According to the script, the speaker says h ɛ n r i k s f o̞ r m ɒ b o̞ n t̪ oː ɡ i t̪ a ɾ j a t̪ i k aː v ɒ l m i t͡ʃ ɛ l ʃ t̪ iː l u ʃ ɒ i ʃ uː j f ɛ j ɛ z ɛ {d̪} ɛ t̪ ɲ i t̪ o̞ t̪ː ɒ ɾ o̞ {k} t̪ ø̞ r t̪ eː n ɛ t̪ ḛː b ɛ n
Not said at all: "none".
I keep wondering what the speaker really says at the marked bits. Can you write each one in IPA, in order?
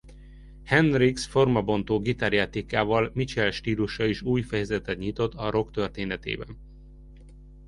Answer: t̪, k

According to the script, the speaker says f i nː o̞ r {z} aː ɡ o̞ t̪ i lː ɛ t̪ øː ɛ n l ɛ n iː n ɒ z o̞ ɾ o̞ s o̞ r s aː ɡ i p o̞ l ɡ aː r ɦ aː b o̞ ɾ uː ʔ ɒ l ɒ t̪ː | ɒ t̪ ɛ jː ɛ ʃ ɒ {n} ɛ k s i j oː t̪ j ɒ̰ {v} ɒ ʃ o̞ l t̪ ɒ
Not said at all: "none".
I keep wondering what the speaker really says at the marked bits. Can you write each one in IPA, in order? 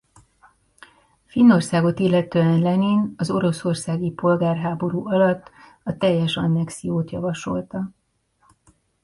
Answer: s, nː, v

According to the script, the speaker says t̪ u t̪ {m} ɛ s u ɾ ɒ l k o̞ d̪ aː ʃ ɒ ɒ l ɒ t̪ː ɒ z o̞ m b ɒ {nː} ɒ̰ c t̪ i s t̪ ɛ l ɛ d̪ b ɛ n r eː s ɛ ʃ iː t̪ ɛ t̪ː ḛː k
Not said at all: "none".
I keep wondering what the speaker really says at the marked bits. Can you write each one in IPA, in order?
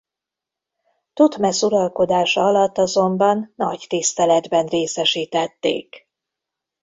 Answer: m, nː

